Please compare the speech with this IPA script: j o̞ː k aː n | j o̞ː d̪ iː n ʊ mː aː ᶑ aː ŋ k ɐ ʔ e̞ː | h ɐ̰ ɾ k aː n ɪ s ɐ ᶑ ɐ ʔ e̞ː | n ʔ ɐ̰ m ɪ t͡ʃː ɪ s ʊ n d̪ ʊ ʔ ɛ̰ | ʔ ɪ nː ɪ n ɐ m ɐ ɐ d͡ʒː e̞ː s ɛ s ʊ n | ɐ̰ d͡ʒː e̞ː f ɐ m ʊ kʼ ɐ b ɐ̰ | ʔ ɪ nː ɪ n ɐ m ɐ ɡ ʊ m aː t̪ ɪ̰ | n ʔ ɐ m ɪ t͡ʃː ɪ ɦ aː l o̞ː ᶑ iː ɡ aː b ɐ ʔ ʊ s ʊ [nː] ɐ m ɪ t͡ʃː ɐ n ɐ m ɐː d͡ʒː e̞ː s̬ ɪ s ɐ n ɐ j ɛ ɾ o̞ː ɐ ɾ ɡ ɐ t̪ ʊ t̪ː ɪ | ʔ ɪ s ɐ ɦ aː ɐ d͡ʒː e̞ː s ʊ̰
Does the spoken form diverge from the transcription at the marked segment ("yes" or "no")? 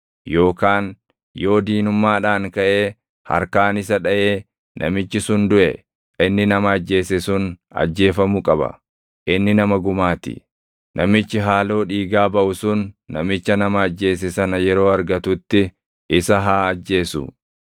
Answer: no